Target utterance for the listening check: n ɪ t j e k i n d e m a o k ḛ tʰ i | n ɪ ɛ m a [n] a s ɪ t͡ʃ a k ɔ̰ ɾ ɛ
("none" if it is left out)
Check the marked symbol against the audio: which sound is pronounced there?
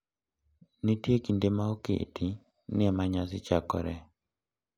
ɲ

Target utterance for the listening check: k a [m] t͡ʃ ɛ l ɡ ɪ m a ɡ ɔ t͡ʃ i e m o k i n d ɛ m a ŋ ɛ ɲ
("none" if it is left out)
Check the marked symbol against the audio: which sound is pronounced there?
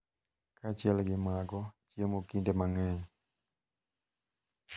none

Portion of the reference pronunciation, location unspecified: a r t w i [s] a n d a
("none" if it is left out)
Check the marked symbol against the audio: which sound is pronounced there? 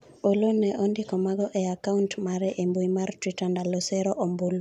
t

